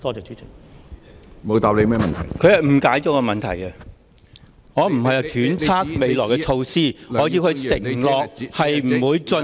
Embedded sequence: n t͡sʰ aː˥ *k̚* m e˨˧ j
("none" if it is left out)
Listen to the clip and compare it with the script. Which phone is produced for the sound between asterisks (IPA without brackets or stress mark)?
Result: k̚